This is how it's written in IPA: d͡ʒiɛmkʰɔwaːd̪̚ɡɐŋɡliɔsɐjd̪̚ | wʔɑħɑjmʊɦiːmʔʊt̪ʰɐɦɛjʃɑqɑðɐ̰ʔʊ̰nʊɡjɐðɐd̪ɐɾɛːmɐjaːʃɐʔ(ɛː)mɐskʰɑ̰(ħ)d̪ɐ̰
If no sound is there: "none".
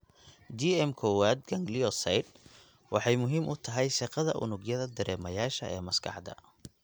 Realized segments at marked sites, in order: ɛː, ħ

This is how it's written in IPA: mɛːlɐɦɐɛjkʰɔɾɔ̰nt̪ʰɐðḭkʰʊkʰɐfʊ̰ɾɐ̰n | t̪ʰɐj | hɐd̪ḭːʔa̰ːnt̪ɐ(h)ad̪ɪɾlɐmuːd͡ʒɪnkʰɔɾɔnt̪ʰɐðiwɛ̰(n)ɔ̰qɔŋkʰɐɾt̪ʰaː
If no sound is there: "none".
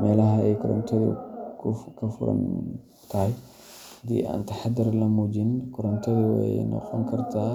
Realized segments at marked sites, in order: ħ, n

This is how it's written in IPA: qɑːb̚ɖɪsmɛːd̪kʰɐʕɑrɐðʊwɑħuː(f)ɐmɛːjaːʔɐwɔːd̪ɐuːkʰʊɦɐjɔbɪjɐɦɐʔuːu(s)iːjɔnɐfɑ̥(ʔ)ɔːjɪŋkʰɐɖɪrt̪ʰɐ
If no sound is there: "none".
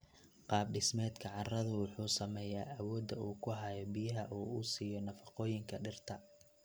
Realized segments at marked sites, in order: s, s, q

